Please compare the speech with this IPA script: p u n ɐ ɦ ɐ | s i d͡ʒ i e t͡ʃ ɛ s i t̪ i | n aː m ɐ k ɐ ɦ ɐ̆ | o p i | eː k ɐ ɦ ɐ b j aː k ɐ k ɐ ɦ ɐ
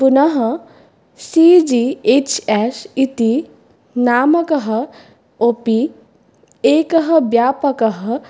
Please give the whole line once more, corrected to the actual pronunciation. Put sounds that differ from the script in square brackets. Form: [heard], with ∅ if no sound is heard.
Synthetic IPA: p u n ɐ ɦ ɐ | s i d͡ʒ i e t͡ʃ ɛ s i t̪ i | n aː m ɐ k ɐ ɦ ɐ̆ | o p i | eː k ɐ ɦ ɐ b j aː [p] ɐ k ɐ ɦ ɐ

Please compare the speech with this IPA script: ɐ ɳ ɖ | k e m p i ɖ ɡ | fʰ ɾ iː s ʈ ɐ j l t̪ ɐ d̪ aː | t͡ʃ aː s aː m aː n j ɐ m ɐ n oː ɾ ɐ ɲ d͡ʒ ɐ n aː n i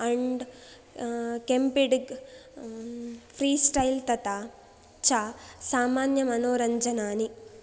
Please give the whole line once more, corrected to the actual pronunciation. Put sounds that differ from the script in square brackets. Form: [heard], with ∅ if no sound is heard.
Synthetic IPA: ɐ ɳ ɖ | k e m p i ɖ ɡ | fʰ ɾ iː s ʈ ɐ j l t̪ ɐ [t̪] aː | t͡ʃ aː s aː m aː n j ɐ m ɐ n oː ɾ ɐ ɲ d͡ʒ ɐ n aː n i

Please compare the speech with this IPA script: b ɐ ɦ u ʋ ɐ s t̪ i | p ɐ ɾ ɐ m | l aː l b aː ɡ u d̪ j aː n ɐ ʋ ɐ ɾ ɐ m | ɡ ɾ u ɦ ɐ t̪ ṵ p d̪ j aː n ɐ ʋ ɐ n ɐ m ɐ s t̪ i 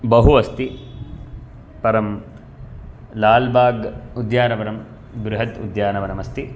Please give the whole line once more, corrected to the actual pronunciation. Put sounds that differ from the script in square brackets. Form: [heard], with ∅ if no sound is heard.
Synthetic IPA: b ɐ ɦ u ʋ ɐ s t̪ i | p ɐ ɾ ɐ m | l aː l b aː ɡ u d̪ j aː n ɐ ʋ ɐ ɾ ɐ m | ɡ ɾ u ɦ ɐ t̪ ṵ [∅] d̪ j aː n ɐ ʋ ɐ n ɐ m ɐ s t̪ i

